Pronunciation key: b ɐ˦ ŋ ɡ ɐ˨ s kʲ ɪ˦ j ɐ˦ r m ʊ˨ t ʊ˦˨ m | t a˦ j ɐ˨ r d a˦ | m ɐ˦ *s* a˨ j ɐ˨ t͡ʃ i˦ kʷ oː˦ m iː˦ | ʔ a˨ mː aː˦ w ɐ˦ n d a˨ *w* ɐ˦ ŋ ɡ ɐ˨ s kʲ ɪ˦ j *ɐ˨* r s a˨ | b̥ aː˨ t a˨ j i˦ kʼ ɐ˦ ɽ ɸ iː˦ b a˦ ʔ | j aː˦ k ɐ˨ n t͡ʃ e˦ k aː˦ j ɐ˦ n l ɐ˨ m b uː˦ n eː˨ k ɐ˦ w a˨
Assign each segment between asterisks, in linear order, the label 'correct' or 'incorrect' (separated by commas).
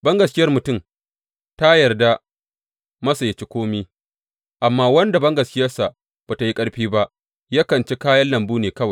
correct, incorrect, incorrect